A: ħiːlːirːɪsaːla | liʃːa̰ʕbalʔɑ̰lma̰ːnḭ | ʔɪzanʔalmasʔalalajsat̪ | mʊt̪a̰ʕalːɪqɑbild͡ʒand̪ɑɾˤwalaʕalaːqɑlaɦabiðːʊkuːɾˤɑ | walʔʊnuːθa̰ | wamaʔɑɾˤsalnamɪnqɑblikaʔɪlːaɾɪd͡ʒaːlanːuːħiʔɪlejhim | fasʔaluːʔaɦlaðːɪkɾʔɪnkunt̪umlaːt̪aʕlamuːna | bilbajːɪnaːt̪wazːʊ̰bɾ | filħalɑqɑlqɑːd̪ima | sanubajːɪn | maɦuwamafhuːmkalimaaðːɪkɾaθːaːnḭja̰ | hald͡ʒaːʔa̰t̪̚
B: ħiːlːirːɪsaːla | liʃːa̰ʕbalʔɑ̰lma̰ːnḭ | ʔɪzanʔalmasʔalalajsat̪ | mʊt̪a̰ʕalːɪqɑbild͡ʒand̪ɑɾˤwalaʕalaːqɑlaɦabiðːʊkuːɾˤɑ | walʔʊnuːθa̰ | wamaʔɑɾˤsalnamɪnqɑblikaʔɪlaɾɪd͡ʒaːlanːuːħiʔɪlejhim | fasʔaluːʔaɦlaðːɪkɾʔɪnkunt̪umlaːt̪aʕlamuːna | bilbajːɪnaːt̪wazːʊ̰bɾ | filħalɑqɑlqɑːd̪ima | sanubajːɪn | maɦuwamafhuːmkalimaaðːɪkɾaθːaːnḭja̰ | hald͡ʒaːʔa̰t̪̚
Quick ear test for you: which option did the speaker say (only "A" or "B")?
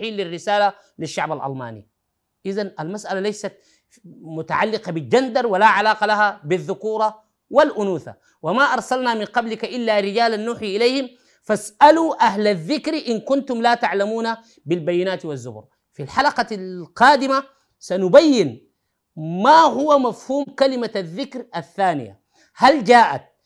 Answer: A